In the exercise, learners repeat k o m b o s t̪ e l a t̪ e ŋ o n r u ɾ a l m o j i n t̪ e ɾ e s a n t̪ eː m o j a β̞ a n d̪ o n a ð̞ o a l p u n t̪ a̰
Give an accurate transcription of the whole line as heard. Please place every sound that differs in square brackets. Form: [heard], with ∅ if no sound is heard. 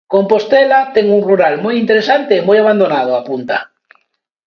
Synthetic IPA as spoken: k o m [p] o s t̪ e l a t̪ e ŋ [u] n r u ɾ a l m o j i n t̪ e ɾ e s a n t̪ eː m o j a β̞ a n d̪ o n a ð̞ o a [∅] p u n t̪ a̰